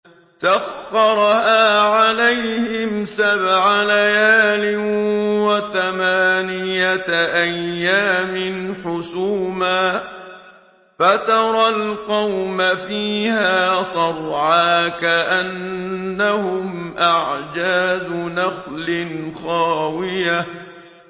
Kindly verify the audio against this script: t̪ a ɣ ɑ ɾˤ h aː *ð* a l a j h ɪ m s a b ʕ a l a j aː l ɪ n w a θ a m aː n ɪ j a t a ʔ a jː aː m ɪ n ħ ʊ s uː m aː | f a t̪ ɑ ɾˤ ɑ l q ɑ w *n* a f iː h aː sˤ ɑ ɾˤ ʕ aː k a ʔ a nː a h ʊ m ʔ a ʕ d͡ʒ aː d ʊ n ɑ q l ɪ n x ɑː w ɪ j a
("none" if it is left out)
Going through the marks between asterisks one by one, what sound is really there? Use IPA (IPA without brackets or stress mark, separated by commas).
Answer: ʕ, m